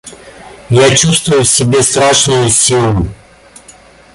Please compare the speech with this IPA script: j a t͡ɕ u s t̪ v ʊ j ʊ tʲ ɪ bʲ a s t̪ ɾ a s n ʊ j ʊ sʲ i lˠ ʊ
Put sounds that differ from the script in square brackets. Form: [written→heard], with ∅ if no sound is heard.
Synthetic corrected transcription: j a t͡ɕ u s t̪ v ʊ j ʊ [tʲ→sʲ] ɪ bʲ [a→e] s t̪ ɾ a [s→ʂ] n ʊ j ʊ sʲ i lˠ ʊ